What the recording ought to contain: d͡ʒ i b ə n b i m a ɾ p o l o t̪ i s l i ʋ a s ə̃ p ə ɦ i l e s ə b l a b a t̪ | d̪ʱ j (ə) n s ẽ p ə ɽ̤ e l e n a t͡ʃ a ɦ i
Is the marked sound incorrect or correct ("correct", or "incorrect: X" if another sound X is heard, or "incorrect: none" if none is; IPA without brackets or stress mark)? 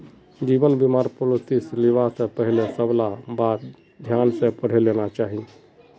incorrect: a